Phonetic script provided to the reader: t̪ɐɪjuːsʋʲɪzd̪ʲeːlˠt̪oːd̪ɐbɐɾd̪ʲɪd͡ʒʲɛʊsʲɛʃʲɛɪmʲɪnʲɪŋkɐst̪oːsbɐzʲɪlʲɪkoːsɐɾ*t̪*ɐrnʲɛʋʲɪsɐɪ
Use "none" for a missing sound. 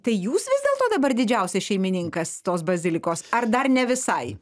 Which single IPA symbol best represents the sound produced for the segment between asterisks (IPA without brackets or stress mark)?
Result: d̪